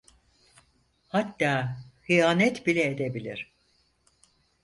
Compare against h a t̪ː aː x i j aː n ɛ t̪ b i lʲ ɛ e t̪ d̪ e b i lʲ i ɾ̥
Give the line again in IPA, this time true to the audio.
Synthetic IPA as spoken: h a t̪ː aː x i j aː n ɛ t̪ b i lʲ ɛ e d̪ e b i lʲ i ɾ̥